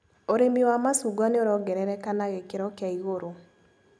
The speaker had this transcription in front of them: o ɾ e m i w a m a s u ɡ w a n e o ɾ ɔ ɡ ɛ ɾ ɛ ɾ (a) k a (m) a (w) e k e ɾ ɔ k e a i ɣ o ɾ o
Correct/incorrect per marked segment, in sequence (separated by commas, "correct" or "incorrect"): incorrect, incorrect, incorrect